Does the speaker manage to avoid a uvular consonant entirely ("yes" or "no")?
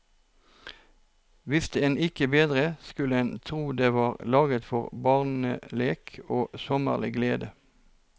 no